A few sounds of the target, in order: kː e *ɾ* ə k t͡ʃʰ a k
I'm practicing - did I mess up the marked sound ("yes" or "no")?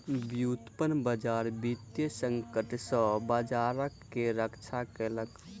no